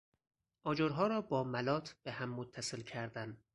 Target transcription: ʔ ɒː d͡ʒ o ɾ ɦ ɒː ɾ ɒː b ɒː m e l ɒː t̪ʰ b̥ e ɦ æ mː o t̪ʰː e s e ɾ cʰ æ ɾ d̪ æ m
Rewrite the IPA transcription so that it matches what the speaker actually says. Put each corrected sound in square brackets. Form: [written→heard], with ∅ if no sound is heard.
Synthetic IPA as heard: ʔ ɒː d͡ʒ o ɾ ɦ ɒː ɾ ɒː b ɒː m [e→æ] l ɒː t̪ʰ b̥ e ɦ æ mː o t̪ʰː [e→æ] s e [ɾ→l] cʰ æ ɾ d̪ æ [m→n]